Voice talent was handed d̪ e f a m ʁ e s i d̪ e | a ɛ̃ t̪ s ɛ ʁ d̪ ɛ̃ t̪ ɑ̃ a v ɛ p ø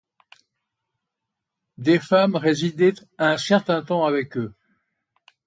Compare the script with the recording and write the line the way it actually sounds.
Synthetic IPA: d̪ e f a m ʁ e z i d̪ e | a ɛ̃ s ɛ ʁ t̪ ɛ̃ t̪ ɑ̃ a v ɛ k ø